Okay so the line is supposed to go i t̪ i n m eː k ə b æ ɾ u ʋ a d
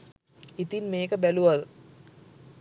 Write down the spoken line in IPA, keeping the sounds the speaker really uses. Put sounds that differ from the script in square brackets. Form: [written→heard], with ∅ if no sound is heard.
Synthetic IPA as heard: i t̪ i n m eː k ə b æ [ɾ→l] u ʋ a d